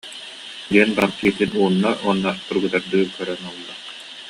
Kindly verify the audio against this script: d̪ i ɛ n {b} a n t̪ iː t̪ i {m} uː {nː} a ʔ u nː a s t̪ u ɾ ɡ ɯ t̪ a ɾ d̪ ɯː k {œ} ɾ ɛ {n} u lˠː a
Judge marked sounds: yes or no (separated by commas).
yes, no, yes, yes, yes